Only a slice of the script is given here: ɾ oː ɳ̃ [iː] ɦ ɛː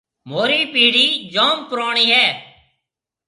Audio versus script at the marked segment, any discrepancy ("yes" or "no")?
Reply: no